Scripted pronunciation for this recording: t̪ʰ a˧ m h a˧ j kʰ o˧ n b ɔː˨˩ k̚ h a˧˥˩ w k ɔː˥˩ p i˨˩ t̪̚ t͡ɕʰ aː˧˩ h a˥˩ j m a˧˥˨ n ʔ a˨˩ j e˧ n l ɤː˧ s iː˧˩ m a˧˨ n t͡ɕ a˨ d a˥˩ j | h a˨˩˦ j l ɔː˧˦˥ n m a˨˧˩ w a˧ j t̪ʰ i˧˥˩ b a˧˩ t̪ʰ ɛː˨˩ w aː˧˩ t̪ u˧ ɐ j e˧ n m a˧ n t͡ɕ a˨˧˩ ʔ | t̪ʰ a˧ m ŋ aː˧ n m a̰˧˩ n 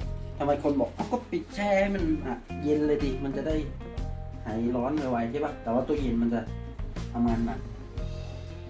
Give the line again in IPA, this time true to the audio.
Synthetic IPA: t̪ʰ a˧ m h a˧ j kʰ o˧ n b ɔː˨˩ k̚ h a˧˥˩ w k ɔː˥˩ p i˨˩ t̪̚ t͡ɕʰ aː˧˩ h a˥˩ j m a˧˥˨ n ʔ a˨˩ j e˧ n l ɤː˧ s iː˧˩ m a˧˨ n t͡ɕ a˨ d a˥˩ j | h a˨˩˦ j l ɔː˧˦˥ n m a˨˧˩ w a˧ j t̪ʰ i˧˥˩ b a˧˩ t̪ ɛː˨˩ w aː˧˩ t̪ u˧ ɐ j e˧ n m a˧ n t͡ɕ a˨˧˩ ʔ | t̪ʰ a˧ m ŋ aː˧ n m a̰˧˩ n

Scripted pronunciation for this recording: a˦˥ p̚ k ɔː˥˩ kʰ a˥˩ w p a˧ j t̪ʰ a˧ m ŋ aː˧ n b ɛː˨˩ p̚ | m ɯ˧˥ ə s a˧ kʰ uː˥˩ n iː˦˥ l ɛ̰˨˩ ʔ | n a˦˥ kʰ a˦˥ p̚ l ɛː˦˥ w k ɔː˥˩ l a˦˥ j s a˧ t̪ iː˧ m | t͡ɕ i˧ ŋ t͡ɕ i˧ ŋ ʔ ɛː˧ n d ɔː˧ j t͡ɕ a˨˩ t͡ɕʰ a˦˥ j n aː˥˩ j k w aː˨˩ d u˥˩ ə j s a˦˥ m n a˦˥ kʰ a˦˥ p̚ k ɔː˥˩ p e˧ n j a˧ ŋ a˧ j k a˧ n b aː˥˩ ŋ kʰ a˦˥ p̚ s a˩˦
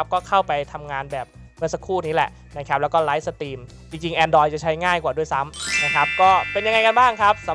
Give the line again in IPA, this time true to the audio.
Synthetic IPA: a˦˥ p̚ k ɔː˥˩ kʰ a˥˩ w p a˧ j t̪ʰ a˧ m ŋ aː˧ n b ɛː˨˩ p̚ | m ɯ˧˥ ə s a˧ kʰ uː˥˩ n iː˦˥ l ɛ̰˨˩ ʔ | n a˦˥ kʰ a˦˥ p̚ l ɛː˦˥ w k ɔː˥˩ l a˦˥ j s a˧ t̪ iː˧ m | t͡ɕ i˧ ŋ t͡ɕ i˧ ŋ ʔ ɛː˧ n d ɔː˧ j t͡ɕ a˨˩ t͡ɕʰ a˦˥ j ŋ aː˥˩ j k w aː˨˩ d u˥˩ ə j s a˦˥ m n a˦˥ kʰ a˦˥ p̚ k ɔː˥˩ p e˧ n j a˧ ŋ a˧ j k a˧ n b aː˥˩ ŋ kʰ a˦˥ p̚ s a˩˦

